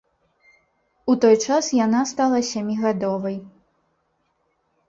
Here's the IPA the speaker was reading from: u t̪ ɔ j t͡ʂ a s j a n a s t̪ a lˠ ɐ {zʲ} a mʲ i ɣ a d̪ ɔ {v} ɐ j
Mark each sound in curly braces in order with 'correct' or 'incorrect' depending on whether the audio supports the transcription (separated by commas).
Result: incorrect, correct